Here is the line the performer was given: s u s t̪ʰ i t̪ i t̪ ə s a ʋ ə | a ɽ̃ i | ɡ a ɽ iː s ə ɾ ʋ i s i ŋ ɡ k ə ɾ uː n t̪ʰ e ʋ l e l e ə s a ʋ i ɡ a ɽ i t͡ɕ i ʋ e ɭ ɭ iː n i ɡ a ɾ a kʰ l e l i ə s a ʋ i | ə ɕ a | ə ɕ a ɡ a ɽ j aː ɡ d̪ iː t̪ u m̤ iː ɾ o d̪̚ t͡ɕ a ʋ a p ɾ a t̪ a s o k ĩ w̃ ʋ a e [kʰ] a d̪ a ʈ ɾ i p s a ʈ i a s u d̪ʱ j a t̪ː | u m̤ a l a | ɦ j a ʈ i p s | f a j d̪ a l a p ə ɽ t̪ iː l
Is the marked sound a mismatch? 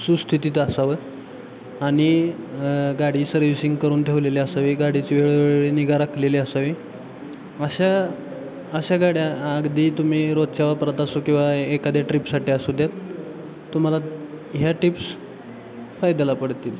yes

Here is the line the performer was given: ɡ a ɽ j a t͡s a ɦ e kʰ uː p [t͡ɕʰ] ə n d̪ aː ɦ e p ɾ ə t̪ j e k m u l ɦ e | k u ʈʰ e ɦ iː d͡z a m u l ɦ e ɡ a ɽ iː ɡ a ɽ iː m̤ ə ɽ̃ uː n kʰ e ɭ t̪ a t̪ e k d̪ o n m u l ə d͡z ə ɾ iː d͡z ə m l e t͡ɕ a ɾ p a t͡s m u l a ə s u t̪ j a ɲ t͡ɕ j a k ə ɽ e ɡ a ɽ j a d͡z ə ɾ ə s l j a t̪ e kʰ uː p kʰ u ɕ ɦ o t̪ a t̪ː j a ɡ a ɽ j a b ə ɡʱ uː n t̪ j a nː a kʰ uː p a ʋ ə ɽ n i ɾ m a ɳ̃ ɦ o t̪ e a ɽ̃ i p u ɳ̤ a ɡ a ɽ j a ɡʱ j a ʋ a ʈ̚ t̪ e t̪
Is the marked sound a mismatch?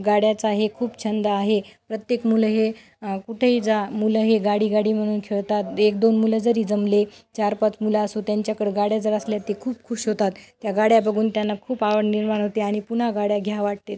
no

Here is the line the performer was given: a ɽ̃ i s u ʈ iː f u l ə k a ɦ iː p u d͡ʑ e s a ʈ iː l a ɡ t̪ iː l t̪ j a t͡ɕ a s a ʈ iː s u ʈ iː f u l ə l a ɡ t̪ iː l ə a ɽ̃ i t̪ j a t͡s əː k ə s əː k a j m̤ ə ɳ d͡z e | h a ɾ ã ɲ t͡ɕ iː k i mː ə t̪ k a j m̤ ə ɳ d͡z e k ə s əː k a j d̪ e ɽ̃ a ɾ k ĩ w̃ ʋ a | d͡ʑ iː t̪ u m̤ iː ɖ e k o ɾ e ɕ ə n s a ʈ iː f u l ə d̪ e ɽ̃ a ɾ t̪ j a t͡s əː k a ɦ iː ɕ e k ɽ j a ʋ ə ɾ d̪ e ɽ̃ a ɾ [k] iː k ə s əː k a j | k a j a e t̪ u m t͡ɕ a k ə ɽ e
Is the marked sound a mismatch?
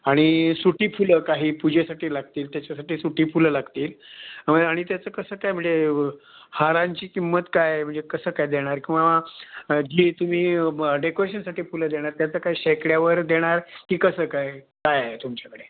no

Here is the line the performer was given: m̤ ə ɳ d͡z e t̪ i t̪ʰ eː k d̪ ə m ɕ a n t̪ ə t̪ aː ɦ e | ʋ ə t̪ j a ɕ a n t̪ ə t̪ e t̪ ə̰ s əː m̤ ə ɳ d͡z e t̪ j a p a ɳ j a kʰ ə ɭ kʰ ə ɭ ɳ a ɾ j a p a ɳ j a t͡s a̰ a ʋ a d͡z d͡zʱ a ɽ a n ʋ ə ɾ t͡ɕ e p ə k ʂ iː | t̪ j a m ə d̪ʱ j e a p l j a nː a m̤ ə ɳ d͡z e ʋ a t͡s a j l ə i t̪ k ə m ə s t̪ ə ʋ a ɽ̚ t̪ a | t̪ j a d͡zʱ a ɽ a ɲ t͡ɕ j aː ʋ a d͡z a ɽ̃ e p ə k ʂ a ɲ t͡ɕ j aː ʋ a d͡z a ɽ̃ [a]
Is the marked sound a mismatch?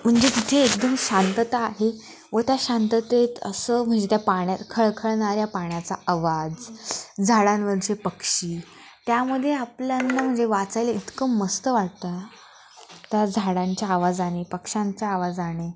yes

